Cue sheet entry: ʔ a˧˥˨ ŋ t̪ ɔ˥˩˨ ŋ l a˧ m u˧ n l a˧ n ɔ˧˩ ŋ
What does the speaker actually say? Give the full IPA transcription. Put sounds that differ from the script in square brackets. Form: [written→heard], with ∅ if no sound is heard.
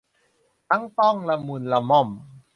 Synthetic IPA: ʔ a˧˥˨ ŋ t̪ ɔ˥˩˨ ŋ l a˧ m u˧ n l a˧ [n→m] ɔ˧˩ [ŋ→m]